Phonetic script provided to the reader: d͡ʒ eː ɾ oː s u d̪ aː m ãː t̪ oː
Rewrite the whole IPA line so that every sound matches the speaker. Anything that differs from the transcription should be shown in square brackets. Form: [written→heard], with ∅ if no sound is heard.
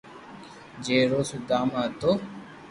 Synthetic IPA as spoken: d͡ʒ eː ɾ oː s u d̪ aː m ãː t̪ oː